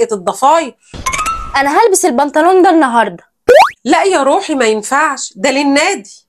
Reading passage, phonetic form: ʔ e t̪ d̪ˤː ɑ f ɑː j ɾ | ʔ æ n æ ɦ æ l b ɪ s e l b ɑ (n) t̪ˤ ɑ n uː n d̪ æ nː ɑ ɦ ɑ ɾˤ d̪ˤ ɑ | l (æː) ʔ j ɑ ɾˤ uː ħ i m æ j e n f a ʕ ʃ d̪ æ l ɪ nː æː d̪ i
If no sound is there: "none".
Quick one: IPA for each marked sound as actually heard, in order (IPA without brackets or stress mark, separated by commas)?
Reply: n, æ